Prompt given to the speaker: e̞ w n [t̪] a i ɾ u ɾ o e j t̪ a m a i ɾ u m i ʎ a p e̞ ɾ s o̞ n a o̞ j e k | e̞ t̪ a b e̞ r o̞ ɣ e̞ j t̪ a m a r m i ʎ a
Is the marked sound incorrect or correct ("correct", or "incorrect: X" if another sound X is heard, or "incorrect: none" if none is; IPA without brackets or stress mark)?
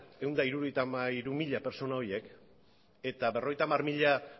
incorrect: d̪